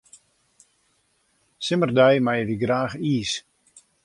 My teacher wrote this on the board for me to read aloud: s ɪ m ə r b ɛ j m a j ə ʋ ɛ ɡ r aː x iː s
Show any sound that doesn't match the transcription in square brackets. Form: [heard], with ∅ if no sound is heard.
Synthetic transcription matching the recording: s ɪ m ə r [d] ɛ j m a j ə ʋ [i] ɡ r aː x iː s